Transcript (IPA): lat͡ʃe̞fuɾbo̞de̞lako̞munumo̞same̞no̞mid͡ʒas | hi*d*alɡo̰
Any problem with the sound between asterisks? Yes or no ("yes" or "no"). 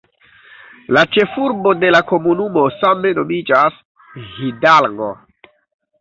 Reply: no